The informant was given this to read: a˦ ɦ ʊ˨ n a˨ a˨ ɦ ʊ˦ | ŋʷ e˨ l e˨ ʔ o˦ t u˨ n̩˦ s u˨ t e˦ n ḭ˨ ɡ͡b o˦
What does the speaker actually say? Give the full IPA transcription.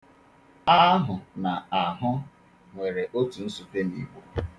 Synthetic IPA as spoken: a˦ ɦ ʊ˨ n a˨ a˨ ɦ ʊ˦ | ŋʷ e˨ ɾ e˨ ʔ o˦ t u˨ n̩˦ s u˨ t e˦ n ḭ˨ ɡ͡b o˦